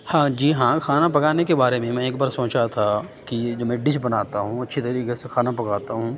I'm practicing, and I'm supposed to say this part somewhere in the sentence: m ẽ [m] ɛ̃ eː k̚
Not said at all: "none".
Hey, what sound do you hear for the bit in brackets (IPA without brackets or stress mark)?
m